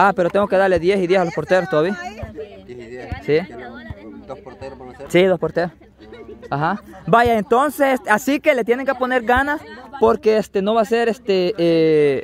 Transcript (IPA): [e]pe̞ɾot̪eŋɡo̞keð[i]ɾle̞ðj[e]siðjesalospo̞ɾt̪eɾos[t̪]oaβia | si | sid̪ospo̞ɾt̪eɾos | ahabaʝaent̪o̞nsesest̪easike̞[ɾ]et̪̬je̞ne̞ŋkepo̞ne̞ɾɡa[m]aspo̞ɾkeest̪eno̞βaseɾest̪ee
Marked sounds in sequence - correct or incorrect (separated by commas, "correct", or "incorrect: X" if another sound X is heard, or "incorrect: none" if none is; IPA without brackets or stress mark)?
incorrect: a, incorrect: a, correct, correct, incorrect: l, incorrect: n